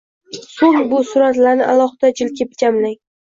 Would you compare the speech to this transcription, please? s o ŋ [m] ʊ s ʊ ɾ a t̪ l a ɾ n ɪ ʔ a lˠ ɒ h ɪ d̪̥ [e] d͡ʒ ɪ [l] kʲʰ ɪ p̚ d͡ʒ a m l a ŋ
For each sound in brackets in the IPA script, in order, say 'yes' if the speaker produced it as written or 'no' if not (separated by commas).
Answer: no, no, yes